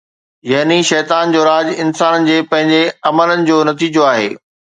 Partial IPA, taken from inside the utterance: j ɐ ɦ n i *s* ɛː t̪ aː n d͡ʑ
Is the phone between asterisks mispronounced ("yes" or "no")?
yes